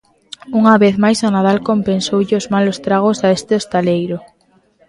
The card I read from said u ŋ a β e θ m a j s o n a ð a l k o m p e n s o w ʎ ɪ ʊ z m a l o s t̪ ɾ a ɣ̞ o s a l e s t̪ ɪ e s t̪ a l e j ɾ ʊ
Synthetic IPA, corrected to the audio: u ŋ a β e θ m a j s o n a ð a l k o m p e n s o w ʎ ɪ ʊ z m a l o s t̪ ɾ a ɣ̞ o s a e s t̪ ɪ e s t̪ a l e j ɾ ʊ